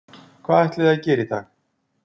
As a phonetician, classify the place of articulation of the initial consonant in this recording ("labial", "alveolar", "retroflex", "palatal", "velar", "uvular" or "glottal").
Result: velar